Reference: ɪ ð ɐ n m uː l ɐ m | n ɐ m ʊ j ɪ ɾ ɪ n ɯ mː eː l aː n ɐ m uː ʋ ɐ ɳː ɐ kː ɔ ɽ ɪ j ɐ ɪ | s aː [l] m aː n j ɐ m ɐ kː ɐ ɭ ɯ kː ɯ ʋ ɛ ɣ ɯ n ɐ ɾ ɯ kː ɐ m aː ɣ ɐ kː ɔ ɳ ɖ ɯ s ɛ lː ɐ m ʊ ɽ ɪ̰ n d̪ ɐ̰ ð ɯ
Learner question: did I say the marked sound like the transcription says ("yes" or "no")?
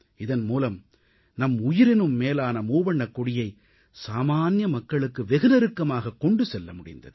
no